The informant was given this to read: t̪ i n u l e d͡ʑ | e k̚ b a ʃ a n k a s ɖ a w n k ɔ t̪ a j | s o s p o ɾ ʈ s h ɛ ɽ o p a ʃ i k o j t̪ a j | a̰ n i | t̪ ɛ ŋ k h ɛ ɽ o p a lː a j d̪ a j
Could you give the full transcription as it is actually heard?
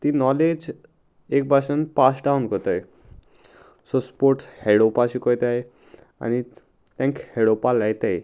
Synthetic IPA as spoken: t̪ i n ɔ l e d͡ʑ | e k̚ b a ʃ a n p a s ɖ a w n k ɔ t̪ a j | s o s p o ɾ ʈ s h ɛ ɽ o p a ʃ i k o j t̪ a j | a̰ n i | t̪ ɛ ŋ k h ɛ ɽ o p a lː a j t̪ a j